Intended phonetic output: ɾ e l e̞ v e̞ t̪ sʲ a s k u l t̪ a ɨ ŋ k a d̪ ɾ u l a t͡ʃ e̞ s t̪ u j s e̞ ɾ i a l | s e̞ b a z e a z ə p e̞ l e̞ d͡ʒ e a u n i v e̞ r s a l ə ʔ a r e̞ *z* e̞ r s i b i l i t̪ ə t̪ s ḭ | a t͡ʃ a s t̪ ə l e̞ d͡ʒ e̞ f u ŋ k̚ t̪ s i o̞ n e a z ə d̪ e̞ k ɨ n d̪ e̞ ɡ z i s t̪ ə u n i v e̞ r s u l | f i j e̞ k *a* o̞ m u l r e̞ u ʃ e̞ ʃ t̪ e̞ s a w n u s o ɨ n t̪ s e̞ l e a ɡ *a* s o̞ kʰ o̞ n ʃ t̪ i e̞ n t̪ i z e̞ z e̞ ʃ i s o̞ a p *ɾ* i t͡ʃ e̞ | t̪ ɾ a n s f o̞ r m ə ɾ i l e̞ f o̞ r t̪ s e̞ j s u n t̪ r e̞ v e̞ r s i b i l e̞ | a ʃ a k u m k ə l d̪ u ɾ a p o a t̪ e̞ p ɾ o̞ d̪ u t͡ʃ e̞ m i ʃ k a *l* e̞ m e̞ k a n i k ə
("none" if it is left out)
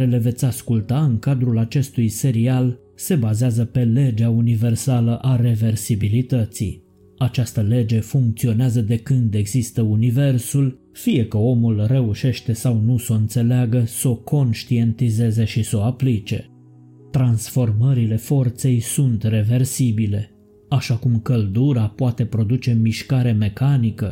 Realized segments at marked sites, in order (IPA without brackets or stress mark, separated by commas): v, ə, ə, l, ɾ